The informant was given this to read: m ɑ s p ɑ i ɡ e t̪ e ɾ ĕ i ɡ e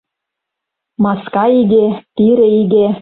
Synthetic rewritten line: m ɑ s k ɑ i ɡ e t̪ i ɾ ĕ i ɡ e